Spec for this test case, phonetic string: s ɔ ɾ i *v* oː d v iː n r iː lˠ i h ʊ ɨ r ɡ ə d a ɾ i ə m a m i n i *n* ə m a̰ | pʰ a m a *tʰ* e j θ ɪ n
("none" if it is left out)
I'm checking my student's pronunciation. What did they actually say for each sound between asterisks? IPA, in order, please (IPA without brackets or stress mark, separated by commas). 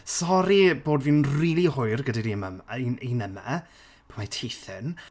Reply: b, n, tʰ